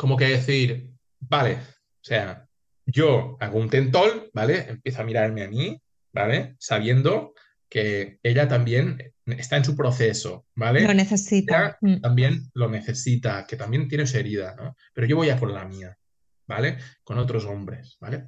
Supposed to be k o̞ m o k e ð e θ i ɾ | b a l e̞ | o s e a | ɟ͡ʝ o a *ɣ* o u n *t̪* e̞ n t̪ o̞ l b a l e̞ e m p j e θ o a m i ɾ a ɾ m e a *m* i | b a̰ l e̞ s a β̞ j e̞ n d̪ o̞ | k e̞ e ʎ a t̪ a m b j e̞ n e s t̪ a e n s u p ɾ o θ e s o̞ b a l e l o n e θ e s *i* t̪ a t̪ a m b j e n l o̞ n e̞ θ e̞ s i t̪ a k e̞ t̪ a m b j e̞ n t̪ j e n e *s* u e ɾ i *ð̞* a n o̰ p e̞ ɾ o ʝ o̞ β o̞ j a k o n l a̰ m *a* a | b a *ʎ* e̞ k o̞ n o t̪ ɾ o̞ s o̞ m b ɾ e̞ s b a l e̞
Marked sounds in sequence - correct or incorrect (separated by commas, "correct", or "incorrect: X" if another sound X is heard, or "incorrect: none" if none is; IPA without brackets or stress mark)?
correct, correct, correct, correct, correct, correct, incorrect: i, incorrect: l